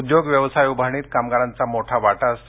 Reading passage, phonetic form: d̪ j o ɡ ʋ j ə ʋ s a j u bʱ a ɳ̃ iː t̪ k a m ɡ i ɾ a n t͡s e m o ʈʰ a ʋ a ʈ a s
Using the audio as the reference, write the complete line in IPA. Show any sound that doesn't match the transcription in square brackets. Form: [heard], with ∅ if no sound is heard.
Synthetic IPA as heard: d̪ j o ɡ ʋ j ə ʋ s a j u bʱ a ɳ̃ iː t̪ k a m ɡ [a] ɾ a n t͡s [a] m o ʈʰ a ʋ a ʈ a s